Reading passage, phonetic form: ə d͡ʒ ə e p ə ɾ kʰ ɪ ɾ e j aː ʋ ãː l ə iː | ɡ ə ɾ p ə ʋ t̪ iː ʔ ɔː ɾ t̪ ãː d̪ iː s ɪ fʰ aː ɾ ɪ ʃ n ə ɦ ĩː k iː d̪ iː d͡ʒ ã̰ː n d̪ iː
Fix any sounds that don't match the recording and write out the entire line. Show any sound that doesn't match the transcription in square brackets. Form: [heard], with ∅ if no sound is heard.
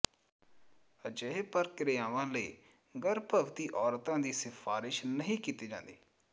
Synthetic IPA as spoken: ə d͡ʒ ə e p ə ɾ [k] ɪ ɾ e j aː ʋ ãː l ə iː | ɡ ə ɾ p ə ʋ t̪ iː ʔ ɔː ɾ t̪ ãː d̪ iː s ɪ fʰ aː ɾ ɪ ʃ n ə ɦ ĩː k iː [t̪] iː d͡ʒ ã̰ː n d̪ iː